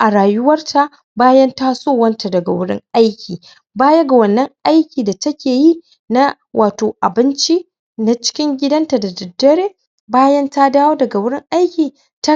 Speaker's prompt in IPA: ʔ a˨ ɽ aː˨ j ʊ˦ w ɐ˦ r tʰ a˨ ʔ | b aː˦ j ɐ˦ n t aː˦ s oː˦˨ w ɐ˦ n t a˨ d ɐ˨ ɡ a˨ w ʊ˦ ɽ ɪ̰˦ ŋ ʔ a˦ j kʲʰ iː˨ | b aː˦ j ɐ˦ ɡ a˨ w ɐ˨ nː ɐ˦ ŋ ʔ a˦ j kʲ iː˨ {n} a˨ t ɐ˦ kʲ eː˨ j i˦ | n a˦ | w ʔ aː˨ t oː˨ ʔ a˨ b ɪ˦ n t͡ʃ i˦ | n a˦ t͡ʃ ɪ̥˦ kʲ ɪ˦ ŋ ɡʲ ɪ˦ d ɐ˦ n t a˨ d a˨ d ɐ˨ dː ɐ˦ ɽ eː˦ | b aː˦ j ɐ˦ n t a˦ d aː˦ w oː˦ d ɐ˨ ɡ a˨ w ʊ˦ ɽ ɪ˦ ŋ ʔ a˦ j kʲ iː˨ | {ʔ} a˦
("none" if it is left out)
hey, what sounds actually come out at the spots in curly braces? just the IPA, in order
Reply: d, t

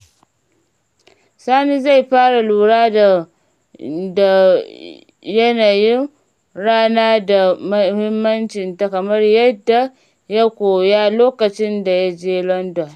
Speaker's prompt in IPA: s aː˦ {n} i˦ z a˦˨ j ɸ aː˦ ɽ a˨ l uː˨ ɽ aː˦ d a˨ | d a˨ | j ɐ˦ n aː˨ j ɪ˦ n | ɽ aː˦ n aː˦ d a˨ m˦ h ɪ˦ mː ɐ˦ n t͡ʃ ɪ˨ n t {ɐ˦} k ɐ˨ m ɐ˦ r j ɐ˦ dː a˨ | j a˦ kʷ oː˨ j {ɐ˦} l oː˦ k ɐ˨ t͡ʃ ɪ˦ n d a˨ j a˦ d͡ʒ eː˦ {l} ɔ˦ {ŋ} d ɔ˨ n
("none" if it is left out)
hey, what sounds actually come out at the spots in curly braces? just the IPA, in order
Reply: n, a˦, a˦, l, n

